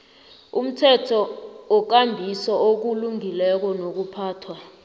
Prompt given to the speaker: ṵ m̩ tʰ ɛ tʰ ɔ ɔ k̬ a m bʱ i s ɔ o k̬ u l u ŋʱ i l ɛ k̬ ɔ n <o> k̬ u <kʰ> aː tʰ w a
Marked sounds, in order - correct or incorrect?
correct, incorrect

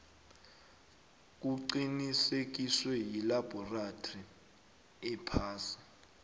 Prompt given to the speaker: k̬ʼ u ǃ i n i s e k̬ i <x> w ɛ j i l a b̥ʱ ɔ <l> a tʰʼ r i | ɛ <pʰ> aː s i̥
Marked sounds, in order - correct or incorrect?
incorrect, incorrect, correct

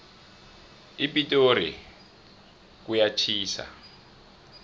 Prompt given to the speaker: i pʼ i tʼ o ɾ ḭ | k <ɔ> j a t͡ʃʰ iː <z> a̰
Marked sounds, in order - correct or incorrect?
incorrect, incorrect

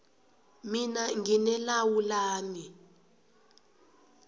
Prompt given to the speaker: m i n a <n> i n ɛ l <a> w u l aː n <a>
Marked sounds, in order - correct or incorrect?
incorrect, correct, incorrect

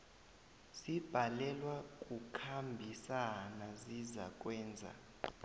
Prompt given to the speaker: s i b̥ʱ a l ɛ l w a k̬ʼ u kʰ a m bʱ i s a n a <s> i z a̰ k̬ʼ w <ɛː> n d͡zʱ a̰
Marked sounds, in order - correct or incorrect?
incorrect, correct

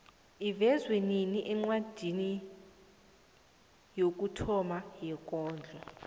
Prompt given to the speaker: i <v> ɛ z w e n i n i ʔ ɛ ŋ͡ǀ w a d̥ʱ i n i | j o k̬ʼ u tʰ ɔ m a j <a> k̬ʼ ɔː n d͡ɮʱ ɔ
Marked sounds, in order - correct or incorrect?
correct, incorrect

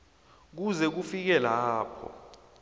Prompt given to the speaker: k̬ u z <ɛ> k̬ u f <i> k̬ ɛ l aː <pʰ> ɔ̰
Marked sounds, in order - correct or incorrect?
correct, correct, correct

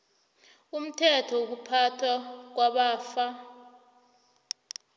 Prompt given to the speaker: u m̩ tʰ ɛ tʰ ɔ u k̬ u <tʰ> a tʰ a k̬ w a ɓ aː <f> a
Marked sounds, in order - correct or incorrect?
incorrect, correct

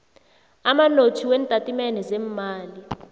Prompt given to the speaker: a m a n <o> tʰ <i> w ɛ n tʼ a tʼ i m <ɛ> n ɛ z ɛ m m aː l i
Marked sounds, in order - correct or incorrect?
correct, correct, correct

